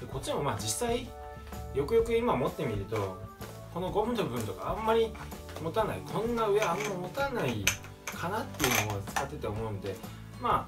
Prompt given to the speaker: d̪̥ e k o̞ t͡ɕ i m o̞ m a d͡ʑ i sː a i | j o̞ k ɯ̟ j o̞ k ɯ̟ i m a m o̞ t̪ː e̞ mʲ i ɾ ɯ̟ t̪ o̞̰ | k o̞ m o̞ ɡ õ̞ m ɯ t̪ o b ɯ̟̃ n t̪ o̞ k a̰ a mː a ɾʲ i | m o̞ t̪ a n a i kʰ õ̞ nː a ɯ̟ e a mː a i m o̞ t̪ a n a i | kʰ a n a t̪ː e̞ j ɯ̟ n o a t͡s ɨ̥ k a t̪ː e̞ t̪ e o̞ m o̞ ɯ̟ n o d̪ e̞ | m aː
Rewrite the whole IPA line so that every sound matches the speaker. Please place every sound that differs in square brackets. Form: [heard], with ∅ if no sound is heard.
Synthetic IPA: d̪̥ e k o̞ t͡ɕ i m o̞ m a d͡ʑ i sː a i | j o̞ k ɯ̟ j o̞ k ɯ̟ i m a m o̞ t̪ː e̞ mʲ i ɾ ɯ̟ t̪ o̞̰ | k o̞ [n] o̞ ɡ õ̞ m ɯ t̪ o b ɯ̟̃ n t̪ o̞ k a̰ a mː a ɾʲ i | m o̞ t̪ a n a i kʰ õ̞ nː a ɯ̟ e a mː a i m o̞ t̪ a n a i | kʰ a n a t̪ː e̞ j ɯ̟ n o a t͡s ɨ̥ k a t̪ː e̞ t̪ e o̞ m o̞ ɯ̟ n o d̪ e̞ | m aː